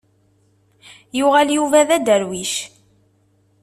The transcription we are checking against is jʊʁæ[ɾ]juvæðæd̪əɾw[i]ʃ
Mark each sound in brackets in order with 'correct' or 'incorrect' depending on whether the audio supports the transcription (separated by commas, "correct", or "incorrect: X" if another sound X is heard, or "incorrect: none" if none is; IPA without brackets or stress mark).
incorrect: l, correct